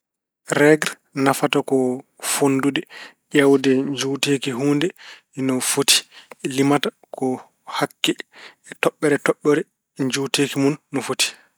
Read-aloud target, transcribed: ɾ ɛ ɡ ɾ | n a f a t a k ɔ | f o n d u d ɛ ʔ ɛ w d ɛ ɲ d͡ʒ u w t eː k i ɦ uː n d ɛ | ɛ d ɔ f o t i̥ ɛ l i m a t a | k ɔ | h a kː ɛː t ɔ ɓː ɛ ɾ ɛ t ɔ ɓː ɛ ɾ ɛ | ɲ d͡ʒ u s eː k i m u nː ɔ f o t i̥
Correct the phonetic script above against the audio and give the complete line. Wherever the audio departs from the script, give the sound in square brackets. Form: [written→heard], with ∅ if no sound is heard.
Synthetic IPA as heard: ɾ ɛ ɡ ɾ | n a f a t a k ɔ | f o n d u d ɛ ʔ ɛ w d ɛ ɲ d͡ʒ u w t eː k i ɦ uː n d ɛ | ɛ [d→n] ɔ f o t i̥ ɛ l i m a t a | k ɔ | h a kː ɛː t ɔ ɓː ɛ ɾ ɛ t ɔ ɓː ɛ ɾ ɛ | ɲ d͡ʒ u [s→t] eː k i m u nː ɔ f o t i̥